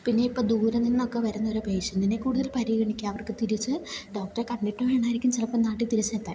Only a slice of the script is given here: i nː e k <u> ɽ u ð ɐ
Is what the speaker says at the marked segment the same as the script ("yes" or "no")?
no